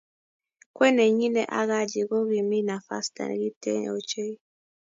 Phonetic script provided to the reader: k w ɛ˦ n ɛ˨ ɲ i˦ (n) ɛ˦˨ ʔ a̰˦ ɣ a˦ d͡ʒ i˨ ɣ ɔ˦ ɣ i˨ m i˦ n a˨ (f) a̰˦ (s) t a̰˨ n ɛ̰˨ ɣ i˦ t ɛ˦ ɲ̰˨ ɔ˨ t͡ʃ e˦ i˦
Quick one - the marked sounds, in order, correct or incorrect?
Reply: correct, correct, correct

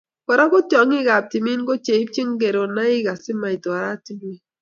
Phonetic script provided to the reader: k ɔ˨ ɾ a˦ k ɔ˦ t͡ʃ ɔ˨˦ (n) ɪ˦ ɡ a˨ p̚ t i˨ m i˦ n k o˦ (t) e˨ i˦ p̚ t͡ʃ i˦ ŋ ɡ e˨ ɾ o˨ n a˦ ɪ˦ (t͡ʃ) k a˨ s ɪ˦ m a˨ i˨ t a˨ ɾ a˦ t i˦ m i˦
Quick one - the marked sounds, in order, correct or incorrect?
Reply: incorrect, incorrect, incorrect

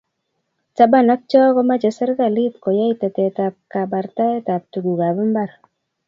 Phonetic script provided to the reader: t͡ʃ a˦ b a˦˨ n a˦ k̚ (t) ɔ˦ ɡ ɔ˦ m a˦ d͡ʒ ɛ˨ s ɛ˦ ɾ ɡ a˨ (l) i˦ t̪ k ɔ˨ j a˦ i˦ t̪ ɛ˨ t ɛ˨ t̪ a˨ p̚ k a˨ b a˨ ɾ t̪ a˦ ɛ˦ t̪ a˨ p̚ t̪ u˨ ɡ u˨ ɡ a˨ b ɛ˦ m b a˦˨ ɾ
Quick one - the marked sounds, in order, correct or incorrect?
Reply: incorrect, correct

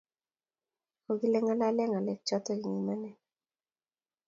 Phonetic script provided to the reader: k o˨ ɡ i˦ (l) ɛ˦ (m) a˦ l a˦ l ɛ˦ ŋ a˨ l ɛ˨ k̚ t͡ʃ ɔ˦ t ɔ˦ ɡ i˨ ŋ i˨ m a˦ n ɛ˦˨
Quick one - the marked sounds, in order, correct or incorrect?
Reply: correct, incorrect

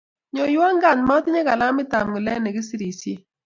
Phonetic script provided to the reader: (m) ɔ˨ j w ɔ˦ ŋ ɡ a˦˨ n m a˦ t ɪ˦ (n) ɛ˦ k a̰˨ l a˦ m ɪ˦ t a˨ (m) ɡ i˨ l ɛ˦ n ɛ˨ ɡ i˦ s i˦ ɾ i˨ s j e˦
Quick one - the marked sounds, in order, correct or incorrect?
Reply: incorrect, incorrect, correct

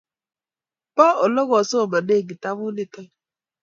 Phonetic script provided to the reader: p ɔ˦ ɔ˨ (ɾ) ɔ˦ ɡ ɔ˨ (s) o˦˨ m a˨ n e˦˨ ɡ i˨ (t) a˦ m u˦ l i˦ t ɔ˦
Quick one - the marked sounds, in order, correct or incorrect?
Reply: incorrect, correct, correct

